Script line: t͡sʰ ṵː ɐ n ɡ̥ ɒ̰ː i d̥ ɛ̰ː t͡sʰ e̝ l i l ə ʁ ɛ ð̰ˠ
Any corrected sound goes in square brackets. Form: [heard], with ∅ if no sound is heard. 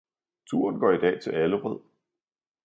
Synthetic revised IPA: t͡sʰ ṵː ɐ n ɡ̥ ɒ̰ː i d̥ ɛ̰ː t͡sʰ e̝ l [æ] l ə ʁ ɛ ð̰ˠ